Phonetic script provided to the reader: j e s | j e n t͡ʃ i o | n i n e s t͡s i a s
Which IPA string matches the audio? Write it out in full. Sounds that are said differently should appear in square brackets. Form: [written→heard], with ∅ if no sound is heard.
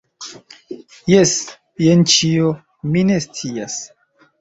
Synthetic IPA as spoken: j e s | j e n t͡ʃ i o | [n→m] i n e s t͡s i a s